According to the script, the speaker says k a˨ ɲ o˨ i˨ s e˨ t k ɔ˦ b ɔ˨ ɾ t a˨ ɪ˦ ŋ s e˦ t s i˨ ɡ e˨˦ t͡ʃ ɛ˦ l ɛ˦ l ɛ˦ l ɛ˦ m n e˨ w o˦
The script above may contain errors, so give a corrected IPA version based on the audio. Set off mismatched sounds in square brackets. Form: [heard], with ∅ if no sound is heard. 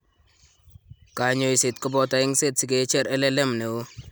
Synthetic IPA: k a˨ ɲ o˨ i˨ s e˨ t k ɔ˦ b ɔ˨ [∅] t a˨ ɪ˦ ŋ s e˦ t s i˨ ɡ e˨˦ t͡ʃ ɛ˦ [ɾ] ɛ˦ l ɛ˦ l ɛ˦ m n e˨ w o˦